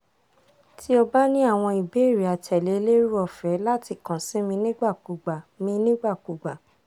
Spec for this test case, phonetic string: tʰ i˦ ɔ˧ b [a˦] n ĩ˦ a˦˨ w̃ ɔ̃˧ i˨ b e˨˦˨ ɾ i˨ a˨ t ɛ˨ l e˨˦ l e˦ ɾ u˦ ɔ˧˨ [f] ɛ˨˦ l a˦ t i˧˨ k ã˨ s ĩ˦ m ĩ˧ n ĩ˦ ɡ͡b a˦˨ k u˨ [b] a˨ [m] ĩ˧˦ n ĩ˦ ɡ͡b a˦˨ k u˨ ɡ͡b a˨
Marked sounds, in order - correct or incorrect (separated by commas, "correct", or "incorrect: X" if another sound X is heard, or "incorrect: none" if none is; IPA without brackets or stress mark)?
correct, correct, incorrect: ɡ͡b, correct